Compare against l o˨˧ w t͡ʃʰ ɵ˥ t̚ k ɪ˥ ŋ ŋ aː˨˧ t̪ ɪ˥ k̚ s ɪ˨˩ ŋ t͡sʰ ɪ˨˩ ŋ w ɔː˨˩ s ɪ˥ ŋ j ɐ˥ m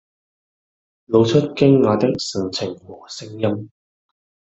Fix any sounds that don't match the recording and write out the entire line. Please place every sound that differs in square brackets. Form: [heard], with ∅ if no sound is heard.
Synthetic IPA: l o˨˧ w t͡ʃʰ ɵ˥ t̚ k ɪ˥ ŋ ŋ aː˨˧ t̪ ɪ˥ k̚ s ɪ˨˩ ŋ t͡sʰ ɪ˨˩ ŋ w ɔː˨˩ s ɪ˥ ŋ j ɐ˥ m